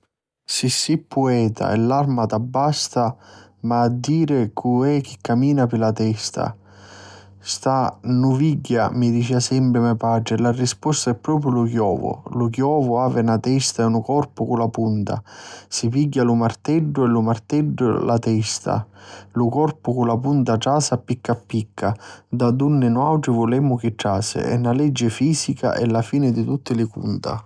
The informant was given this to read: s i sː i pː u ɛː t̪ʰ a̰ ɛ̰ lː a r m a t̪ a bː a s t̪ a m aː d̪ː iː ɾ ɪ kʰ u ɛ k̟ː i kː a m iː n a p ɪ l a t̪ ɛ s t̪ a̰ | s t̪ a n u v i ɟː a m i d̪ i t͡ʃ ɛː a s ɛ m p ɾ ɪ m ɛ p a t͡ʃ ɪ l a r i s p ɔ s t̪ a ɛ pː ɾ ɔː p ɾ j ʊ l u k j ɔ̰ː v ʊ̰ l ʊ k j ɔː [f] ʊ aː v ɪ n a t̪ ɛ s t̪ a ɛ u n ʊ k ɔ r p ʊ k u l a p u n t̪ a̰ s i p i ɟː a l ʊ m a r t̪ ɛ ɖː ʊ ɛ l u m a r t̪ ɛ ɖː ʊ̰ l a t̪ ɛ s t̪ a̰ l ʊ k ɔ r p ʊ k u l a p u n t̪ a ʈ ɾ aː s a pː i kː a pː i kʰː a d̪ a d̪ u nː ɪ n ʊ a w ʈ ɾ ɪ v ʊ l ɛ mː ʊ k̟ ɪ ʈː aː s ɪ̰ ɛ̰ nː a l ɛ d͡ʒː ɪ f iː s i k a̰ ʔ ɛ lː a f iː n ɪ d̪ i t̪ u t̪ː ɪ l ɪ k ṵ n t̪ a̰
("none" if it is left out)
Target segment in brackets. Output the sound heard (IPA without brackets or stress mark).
v